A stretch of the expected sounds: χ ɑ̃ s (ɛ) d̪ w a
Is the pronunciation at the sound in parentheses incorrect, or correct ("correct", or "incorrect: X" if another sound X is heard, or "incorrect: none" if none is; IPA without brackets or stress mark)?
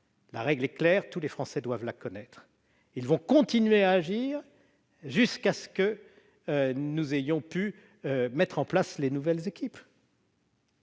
correct